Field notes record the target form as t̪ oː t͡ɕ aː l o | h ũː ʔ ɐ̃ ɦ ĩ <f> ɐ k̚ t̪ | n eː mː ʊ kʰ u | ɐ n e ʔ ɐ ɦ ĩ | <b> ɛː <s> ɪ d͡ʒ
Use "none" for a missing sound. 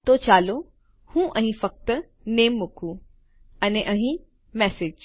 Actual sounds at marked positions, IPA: f, m, s

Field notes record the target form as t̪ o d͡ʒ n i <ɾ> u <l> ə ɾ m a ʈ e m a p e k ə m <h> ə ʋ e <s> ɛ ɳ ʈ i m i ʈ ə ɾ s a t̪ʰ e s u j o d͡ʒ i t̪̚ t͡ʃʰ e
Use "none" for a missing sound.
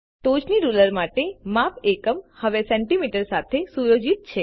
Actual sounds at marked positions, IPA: ɾ, l, h, s

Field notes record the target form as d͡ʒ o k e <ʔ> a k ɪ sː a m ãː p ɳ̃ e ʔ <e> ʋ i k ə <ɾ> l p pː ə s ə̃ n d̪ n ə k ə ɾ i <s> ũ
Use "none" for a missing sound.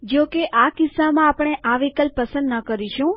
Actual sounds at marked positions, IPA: ʔ, a, none, ʃ

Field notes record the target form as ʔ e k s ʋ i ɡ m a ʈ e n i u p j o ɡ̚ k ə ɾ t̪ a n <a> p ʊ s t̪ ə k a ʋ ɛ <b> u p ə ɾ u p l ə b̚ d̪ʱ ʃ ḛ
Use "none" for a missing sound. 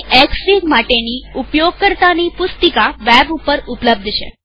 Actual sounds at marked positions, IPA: i, b

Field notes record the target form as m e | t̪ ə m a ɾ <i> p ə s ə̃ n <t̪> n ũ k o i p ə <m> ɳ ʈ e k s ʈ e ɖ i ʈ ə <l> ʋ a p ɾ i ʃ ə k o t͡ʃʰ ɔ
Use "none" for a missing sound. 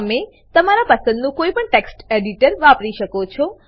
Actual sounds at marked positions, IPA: a, d̪, none, ɾ

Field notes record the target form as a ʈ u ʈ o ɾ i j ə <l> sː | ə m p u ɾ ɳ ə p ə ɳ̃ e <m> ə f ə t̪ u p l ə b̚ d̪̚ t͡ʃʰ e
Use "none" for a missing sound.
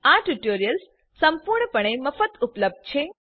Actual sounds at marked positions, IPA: l, m

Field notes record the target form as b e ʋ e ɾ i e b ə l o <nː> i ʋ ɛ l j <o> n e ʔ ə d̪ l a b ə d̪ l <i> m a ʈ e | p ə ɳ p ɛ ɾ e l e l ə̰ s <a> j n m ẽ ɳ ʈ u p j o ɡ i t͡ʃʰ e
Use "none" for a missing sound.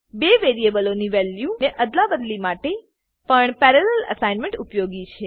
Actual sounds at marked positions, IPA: n, u, i, a

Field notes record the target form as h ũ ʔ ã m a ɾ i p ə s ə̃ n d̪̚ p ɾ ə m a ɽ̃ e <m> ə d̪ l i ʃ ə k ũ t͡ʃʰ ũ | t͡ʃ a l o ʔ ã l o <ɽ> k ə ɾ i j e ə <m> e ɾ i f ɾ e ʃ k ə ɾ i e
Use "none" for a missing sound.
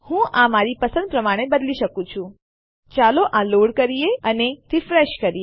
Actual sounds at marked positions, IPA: b, ɽ, n

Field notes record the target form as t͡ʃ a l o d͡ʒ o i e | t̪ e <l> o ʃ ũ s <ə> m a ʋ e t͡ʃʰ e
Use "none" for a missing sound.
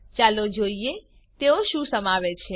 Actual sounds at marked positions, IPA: none, ə

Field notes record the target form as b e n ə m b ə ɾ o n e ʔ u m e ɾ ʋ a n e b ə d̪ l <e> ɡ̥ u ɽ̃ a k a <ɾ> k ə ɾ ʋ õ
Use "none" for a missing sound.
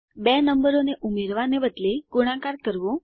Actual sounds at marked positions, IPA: e, ɾ

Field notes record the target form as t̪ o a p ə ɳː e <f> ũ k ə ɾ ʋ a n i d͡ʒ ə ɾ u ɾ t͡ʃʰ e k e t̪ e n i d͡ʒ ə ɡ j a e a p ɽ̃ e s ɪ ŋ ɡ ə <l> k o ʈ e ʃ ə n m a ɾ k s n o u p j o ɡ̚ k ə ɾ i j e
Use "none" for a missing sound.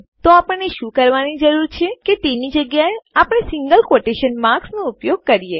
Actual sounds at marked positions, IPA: ʃ, l

